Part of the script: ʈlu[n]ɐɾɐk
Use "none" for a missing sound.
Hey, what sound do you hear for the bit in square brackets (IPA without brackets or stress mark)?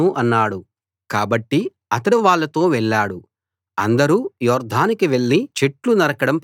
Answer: n